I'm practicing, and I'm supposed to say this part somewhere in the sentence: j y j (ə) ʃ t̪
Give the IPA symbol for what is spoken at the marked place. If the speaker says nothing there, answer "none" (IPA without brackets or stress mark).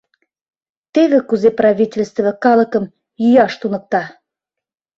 ɑ